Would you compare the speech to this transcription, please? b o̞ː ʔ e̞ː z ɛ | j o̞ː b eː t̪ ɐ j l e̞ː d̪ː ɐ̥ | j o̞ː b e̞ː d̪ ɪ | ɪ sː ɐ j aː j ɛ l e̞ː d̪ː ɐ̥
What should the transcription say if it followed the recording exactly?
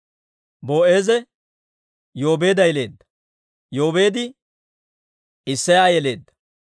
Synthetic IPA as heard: b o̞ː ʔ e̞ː z ɛ | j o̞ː b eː d̪ ɐ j l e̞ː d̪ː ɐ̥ | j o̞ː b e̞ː d̪ ɪ | ɪ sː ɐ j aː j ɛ l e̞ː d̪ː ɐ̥